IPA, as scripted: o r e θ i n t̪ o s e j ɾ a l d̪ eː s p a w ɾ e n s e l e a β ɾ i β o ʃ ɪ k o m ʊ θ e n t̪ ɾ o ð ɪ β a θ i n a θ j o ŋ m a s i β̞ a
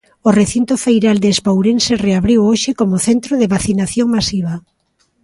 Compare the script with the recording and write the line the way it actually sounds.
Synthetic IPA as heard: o r e θ i n t̪ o f e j ɾ a l d̪ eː s p a w ɾ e n s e r e a β ɾ i w o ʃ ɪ k o m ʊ θ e n t̪ ɾ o ð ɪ β a θ i n a θ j o ŋ m a s i β̞ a